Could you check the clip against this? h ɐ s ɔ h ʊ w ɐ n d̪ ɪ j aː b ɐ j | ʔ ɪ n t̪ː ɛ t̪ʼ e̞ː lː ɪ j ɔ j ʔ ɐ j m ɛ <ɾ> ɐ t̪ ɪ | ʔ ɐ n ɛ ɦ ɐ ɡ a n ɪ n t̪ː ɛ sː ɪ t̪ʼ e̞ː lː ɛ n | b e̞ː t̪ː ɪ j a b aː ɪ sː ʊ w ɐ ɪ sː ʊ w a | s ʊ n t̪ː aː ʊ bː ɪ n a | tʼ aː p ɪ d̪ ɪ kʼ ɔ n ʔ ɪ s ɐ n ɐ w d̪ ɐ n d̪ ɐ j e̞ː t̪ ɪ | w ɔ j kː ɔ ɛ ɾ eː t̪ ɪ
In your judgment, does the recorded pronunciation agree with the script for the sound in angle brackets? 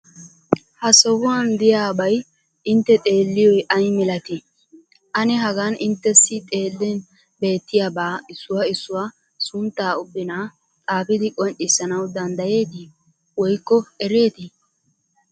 no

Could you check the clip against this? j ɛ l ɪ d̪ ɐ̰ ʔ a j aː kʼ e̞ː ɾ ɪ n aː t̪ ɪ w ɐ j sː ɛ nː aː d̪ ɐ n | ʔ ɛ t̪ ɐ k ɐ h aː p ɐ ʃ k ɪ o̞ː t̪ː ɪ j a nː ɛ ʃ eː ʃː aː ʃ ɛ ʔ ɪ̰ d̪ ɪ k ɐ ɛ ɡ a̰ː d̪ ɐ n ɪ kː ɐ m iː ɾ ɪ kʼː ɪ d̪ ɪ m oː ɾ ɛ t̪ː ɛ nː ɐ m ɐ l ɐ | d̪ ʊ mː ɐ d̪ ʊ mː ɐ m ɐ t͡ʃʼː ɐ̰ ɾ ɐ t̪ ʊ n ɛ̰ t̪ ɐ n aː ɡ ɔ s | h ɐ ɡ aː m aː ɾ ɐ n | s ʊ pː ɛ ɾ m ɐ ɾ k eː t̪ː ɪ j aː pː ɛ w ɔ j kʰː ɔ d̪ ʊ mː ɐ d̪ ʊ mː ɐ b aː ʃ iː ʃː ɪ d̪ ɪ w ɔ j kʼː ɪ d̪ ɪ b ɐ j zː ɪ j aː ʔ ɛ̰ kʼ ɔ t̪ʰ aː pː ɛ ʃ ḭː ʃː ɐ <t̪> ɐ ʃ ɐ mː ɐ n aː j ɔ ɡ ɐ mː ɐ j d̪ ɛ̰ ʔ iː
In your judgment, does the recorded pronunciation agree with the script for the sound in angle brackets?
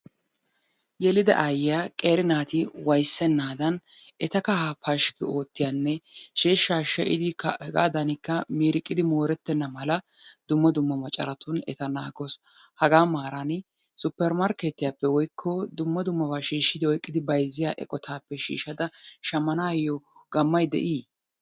no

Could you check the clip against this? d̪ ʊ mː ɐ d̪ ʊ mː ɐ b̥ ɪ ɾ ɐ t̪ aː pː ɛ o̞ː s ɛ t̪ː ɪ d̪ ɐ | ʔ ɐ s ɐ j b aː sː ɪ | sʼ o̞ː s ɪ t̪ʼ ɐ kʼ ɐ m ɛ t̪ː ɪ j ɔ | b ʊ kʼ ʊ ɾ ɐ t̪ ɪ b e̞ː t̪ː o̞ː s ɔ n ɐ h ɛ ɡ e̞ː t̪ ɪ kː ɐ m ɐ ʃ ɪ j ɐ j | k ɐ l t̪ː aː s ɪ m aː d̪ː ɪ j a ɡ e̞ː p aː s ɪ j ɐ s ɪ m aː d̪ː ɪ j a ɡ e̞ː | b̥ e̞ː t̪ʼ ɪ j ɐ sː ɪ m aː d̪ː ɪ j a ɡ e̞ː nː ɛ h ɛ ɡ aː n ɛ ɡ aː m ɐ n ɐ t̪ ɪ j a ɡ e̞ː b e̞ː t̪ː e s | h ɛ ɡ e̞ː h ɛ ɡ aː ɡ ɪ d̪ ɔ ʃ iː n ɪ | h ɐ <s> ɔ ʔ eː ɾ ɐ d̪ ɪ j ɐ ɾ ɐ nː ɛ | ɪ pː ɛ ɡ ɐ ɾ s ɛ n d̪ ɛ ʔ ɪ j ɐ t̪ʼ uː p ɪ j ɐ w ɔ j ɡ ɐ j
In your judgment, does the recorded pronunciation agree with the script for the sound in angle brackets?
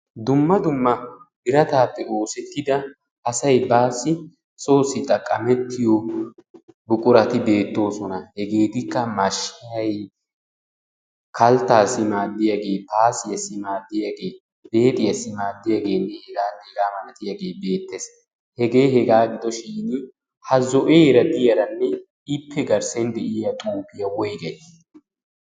no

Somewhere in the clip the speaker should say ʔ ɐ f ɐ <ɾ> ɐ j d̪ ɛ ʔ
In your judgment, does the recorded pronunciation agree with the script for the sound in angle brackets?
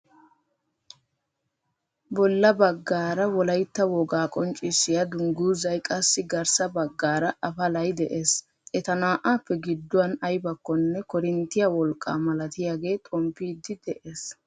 no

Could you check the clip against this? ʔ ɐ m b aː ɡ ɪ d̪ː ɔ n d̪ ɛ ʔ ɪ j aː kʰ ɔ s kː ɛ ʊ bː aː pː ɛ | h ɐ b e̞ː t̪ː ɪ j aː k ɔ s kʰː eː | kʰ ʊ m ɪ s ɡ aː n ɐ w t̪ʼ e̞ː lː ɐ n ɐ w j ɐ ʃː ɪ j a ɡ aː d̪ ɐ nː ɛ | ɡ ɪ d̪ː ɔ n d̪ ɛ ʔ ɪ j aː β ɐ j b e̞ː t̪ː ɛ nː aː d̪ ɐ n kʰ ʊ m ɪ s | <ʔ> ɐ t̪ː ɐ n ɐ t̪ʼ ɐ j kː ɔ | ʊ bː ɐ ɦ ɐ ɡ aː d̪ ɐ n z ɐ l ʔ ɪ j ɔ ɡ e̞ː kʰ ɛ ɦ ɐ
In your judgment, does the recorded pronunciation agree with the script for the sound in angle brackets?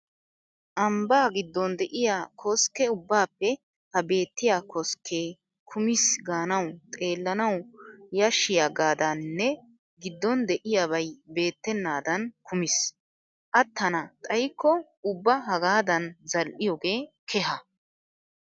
yes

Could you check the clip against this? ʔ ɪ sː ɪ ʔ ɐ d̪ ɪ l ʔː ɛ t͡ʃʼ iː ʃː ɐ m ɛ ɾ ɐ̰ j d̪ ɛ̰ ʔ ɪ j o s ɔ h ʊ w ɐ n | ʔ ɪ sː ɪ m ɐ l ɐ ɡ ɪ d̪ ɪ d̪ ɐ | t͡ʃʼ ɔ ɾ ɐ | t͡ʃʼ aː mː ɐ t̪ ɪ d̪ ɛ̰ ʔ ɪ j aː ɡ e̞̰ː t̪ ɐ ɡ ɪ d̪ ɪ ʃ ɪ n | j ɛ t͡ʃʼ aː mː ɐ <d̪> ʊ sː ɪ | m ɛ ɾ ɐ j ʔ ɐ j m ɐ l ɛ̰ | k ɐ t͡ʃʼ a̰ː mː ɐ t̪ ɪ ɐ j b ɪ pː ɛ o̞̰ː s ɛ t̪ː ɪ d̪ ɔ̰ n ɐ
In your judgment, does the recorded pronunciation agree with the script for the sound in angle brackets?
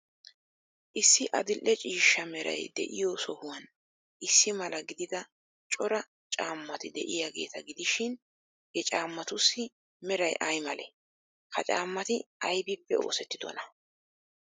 no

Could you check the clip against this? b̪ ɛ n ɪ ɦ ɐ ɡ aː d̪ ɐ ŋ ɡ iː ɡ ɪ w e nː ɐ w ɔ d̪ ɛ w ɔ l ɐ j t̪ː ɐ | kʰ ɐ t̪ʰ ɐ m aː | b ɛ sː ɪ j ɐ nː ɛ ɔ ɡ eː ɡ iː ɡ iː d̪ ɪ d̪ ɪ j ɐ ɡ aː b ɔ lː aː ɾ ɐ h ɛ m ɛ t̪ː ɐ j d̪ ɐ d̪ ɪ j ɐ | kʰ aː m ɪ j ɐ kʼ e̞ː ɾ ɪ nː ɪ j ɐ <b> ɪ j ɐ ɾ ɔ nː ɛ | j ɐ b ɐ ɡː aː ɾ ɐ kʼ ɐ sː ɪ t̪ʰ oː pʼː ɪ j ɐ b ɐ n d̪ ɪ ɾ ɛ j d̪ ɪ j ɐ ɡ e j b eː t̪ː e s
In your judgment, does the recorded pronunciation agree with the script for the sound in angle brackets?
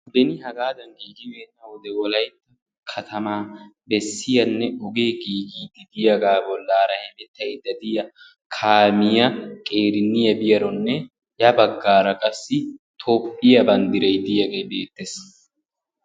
yes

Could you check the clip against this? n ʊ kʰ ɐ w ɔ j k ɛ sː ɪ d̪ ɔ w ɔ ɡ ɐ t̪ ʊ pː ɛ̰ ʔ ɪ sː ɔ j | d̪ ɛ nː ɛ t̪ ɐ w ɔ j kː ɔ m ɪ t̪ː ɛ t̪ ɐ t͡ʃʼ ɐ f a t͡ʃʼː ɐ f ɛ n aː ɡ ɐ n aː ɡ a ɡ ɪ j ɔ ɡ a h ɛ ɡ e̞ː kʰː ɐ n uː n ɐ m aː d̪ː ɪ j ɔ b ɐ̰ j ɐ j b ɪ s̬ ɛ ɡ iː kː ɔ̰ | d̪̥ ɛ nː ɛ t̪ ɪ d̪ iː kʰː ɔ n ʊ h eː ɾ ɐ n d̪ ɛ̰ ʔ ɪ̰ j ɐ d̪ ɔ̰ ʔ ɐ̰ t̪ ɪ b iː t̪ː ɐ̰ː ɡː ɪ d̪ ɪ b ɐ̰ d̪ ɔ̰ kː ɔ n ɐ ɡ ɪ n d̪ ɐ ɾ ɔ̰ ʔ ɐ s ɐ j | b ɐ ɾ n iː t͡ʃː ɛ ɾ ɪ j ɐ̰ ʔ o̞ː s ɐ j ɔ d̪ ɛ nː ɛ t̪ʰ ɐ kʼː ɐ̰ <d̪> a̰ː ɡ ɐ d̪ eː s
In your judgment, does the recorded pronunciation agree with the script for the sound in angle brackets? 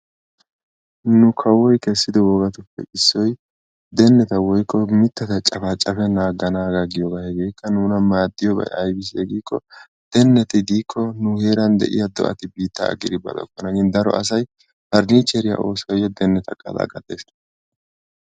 yes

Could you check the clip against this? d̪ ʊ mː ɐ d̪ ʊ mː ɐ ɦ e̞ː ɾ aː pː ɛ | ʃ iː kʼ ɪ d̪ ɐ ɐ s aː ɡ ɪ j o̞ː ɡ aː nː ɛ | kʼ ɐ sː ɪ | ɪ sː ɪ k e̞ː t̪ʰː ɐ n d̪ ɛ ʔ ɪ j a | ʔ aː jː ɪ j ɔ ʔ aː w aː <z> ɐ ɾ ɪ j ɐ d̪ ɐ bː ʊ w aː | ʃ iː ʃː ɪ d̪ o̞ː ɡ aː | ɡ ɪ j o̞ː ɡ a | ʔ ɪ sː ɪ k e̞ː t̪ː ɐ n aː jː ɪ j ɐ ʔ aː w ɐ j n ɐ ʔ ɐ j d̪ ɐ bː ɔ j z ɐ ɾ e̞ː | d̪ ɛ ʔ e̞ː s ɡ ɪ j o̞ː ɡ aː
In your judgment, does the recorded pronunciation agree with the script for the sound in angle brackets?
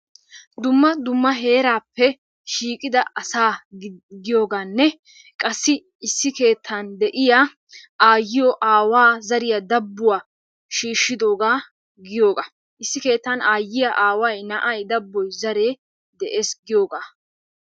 yes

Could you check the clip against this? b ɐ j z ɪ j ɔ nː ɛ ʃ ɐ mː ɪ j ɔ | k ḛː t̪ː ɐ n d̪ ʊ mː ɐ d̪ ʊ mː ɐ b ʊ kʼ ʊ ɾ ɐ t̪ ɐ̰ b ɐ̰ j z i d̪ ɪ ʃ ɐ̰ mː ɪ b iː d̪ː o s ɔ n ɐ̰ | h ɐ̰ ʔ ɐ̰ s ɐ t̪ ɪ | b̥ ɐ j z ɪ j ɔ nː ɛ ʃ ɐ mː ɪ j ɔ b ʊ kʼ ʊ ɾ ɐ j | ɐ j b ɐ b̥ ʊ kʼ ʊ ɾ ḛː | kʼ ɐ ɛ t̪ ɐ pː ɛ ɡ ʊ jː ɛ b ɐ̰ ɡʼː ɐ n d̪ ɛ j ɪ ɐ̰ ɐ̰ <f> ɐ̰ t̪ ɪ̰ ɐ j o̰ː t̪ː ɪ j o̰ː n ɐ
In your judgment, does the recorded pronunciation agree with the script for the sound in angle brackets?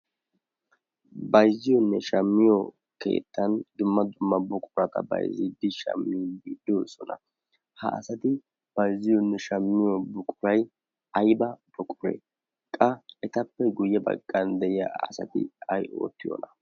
no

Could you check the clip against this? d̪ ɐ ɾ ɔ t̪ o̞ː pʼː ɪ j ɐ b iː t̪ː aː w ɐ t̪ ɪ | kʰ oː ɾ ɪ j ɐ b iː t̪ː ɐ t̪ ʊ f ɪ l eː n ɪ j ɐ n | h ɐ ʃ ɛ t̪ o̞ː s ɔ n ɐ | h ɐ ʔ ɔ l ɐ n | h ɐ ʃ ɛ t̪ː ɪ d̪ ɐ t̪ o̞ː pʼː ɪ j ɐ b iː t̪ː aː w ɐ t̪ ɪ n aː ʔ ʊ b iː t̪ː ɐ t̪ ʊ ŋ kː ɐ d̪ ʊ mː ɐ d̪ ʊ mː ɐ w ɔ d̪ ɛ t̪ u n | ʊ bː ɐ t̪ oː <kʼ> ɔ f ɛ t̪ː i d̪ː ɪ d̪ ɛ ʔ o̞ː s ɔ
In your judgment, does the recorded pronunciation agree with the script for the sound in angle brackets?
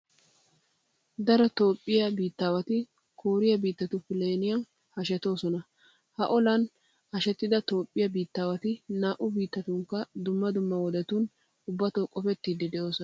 yes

